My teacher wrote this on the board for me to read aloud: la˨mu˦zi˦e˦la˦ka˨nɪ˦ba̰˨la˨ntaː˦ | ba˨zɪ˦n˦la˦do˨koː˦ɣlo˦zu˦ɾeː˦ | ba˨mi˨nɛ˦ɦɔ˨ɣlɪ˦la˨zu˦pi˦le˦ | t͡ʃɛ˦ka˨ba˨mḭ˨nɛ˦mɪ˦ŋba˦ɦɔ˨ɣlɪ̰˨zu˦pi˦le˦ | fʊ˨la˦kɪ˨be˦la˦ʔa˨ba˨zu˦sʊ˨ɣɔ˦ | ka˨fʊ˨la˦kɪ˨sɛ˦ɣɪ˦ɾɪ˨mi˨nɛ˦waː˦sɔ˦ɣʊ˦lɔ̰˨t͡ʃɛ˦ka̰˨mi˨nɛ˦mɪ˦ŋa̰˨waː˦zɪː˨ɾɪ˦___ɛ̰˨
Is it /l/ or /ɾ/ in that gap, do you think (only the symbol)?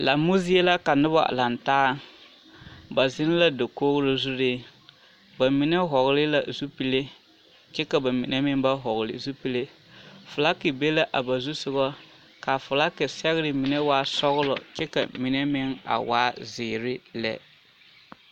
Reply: l